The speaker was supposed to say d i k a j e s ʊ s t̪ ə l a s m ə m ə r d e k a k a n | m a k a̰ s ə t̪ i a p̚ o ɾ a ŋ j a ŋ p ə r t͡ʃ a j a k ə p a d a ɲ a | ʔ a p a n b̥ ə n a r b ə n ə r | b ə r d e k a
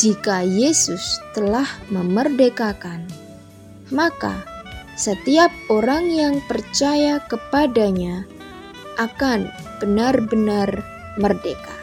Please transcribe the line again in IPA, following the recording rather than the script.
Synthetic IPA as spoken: d͡ʒ i k a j e s ʊ s t̪ ə l a h m ə m ə r d e k a k a n | m a k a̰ s ə t̪ i a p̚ o ɾ a ŋ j a ŋ p ə r t͡ʃ a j a k ə p a d a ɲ a | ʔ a k a n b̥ ə n a r b ə n a r | m ə r d e k a